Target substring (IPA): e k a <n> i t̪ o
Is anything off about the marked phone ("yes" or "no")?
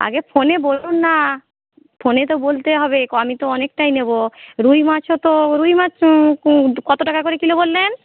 yes